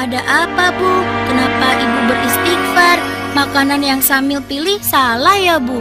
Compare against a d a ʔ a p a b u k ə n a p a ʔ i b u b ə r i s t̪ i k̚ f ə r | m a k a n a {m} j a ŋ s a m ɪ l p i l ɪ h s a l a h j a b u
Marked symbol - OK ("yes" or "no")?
no